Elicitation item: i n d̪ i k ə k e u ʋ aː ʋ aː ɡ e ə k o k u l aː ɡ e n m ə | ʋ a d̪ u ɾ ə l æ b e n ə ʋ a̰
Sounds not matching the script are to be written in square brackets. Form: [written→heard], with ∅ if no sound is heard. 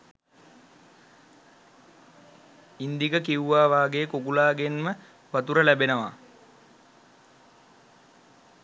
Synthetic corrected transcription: i n d̪ i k ə k [e→i] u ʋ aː ʋ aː ɡ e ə k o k u l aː ɡ e n m ə | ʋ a [d̪→t̪] u ɾ ə l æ b e n ə ʋ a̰